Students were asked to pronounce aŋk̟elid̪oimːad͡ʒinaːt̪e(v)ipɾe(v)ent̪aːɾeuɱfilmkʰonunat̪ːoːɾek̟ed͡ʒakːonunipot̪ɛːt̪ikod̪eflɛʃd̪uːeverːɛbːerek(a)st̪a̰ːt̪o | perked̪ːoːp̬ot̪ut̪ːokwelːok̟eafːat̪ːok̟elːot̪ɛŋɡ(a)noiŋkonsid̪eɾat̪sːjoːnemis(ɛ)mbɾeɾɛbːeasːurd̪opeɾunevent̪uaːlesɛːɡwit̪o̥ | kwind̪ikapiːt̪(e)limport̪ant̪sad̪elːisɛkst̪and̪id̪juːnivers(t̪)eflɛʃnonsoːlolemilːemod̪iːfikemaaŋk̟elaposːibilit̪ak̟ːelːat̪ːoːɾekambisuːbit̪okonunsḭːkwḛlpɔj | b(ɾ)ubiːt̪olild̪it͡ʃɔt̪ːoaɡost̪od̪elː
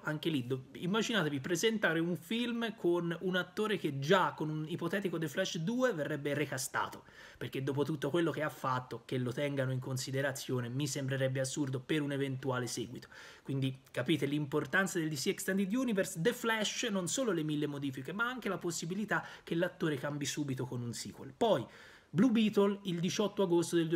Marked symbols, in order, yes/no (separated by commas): yes, no, yes, yes, no, yes, no, no